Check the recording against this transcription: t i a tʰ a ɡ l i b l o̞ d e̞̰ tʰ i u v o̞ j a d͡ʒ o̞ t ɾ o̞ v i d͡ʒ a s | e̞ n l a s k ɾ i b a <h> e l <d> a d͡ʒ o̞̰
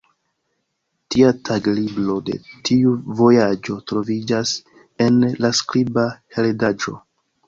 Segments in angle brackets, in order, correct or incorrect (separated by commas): correct, correct